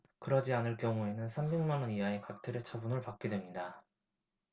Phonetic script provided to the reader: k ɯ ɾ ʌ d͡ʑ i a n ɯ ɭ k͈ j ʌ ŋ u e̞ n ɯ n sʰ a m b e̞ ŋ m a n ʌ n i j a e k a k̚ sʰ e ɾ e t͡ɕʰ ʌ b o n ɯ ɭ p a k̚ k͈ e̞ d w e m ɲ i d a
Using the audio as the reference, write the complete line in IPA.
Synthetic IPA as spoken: k ɯ ɾ ʌ d͡ʑ i a n ɯ ɭ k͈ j ʌ ŋ u e̞ n ɯ n sʰ a m b e̞ ŋ m a n ʌ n i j a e k a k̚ tʰ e ɾ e t͡ɕʰ ʌ b u n ɯ ɭ p a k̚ k͈ e̞ d w e m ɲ i d a

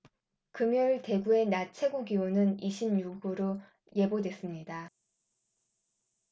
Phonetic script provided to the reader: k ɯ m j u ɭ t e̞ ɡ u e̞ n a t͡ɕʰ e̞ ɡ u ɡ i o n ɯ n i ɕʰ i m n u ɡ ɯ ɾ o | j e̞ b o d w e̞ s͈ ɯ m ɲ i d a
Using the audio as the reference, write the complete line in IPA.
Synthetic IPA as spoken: k ɯ m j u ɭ t e̞ ɡ u e̞ n a t͡ɕʰ e̞ ɡ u ɡ i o n ɯ n i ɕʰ i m ɲ u ɡ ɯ ɾ o | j e̞ b o d w e̞ s͈ ɯ m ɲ i d a

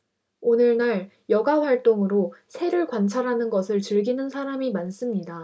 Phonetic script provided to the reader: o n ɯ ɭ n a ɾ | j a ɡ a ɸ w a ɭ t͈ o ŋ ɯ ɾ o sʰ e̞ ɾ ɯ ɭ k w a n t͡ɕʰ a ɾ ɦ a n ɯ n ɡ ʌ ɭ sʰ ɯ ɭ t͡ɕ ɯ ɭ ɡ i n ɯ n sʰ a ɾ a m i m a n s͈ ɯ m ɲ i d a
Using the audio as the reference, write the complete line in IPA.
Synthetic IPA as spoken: o n ɯ ɭ n a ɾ | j ʌ ɡ a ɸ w a ɭ t͈ o ŋ ɯ ɾ o sʰ e̞ ɾ ɯ ɭ k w a n t͡ɕʰ a ɾ ɦ a n ɯ n ɡ ʌ sʰ ɯ ɭ t͡ɕ ɯ ɭ ɡ i n ɯ n sʰ a ɾ a m i m a n s͈ ɯ m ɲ i d a

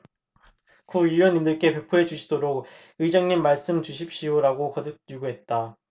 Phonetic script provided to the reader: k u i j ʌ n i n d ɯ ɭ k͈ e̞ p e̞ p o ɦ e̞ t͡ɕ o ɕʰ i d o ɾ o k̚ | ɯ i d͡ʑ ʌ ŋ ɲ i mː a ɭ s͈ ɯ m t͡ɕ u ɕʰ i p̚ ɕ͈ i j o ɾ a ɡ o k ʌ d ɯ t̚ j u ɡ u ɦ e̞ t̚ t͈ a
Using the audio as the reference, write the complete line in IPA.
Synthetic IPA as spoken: k u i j ʌ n i n d ɯ ɭ k͈ e̞ p e̞ pʰ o ɦ e̞ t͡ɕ u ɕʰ i d o ɾ o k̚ | ɯ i d͡ʑ ʌ ŋ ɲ i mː a ɭ s͈ ɯ m t͡ɕ u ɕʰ i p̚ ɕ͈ i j o ɾ a ɡ o k ʌ d ɯ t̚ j u ɡ u ɦ e̞ t̚ t͈ a

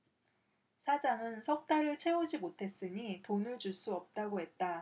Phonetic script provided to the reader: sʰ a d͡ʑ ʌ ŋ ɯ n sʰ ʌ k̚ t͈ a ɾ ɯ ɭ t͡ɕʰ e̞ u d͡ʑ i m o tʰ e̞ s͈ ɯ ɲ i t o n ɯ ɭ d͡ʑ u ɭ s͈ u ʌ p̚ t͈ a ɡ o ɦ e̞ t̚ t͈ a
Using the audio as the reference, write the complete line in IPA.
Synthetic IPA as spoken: sʰ a d͡ʑ a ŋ ɯ n sʰ ʌ k̚ t͈ a ɾ ɯ ɭ t͡ɕʰ e̞ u d͡ʑ i m o tʰ e̞ s͈ ɯ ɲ i t o n ɯ ɭ d͡ʑ u ɭ s͈ u ʌ p̚ t͈ a ɡ o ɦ e̞ t̚ t͈ a

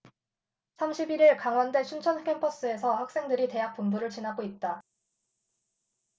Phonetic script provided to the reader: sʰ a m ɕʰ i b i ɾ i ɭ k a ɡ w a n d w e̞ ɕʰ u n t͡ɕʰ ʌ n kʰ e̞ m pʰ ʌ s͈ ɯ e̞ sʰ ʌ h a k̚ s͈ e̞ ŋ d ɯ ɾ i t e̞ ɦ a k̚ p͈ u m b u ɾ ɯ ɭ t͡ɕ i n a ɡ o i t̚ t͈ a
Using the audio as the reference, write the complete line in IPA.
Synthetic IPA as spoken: sʰ a m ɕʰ i b i ɾ i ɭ k a ŋ w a n d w e̞ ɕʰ u n t͡ɕʰ ʌ n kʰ e̞ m pʰ ʌ s͈ ɯ e̞ sʰ ʌ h a k̚ s͈ e̞ ŋ d ɯ ɾ i t e̞ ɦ a k̚ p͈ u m b u ɾ ɯ ɭ t͡ɕ i n a ɡ o i t̚ t͈ a

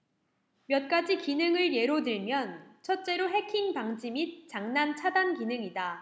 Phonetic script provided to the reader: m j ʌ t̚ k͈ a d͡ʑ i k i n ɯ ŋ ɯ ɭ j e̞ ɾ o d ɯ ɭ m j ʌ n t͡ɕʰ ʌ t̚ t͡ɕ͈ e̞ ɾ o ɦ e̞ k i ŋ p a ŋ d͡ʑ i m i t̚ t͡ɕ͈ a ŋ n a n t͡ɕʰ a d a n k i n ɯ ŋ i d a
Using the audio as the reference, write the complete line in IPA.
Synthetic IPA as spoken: m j ʌ t̚ k͈ a d͡ʑ i k i n ɯ ŋ ɯ ɭ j e̞ ɾ o d ɯ ɭ m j ʌ n t͡ɕʰ ʌ t̚ t͡ɕ͈ e̞ ɾ o ɦ e̞ kʰ i ŋ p a ŋ d͡ʑ i m i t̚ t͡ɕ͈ a ŋ n a n t͡ɕʰ a d a n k i n ɯ ŋ i d a

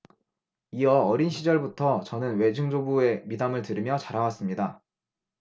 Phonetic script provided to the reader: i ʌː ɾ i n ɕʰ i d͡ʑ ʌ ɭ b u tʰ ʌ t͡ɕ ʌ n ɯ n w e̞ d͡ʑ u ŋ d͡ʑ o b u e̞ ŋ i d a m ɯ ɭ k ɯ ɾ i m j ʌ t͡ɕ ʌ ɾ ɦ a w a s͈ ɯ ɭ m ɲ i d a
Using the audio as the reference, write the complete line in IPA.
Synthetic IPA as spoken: i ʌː ɾ i n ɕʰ i d͡ʑ ʌ ɭ b u tʰ ʌ t͡ɕ ʌ n ɯ n w e̞ d͡ʑ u ŋ d͡ʑ o b u e̞ m i d a m ɯ ɭ t ɯ ɾ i m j ʌ t͡ɕ a ɾ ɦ a w a s͈ ɯ m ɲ i d a

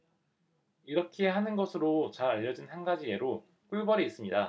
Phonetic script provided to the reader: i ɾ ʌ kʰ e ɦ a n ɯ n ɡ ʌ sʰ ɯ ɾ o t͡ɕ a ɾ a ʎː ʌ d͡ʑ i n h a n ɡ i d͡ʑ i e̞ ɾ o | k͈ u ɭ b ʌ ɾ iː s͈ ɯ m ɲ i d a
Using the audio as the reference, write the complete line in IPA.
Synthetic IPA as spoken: i ɾ ʌ kʰ e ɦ a n ɯ n ɡ ʌ sʰ ɯ ɾ o t͡ɕ a ɾ a ʎː ʌ d͡ʑ i n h a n ɡ a d͡ʑ i e̞ ɾ o | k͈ u ɭ b ʌ ɾ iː s͈ ɯ m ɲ i d a

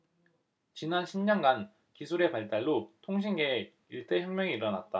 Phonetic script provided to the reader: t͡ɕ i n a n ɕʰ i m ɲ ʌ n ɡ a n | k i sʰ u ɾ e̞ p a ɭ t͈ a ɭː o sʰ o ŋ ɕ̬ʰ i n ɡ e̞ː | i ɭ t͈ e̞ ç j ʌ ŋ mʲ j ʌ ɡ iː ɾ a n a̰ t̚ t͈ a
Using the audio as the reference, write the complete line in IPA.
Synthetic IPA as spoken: t͡ɕ i n a n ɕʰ i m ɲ ʌ n ɡ a n | k i sʰ u ɾ e̞ p a ɭ t͈ a ɭː o tʰ o ŋ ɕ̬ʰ i n ɡ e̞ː | i ɭ t͈ e̞ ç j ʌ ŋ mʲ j ʌ ŋ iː ɾ ʌ n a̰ t̚ t͈ a

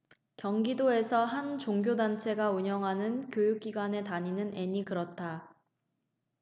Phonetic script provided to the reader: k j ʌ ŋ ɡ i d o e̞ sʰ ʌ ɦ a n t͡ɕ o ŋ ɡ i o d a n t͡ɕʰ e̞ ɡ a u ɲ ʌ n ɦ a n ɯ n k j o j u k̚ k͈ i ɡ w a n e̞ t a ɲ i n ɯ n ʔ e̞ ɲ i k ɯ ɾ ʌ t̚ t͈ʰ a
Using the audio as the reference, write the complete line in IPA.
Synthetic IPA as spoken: k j ʌ ŋ ɡ i d o e̞ sʰ ʌ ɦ a n t͡ɕ o ŋ ɡ j o d a n t͡ɕʰ e̞ ɡ a u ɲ ʌ ŋ ɦ a n ɯ n k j o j u k̚ k͈ i ɡ w a n e̞ t a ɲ i n ɯ n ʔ e̞ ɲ i k ɯ ɾ ʌ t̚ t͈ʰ a

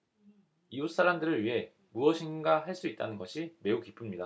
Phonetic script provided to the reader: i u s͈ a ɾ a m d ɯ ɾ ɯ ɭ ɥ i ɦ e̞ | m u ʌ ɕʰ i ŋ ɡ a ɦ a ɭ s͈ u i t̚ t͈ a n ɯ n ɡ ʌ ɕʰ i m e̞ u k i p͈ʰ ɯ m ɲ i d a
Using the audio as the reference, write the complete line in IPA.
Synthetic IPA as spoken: i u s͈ a ɾ a m d ɯ ɾ ɯ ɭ ɥ i ɦ e̞ | m u ʌ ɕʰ i n ɡ a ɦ a ɭ s͈ u i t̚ t͈ a n ɯ n ɡ ʌ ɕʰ i m e̞ u k i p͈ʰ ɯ m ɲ i d a

